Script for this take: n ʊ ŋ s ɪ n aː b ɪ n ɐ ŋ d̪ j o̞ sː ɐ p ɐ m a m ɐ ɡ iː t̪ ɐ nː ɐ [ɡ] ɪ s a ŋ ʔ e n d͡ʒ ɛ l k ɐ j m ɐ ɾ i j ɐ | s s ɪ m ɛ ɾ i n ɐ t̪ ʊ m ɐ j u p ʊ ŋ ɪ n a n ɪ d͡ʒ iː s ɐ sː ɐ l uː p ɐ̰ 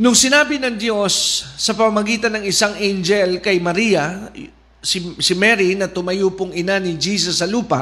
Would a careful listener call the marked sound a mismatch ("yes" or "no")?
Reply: yes